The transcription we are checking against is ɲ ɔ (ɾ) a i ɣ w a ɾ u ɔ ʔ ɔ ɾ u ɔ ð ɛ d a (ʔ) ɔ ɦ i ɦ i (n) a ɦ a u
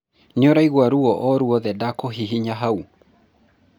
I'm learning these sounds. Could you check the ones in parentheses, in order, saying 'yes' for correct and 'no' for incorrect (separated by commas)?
yes, no, no